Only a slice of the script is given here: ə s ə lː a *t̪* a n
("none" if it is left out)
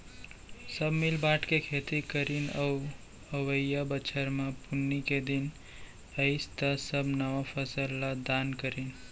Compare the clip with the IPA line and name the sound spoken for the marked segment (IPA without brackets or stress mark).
d̪